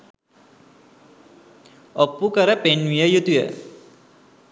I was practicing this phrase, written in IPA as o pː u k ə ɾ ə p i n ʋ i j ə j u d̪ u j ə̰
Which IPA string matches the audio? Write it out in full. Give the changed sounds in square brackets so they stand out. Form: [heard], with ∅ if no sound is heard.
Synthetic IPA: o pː u k ə ɾ ə p [e] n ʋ i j ə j u [t̪] u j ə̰